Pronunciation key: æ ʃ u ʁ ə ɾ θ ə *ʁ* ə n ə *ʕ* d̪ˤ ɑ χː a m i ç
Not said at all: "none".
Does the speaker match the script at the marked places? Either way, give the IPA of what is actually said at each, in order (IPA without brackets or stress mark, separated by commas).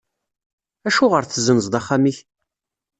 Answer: z, z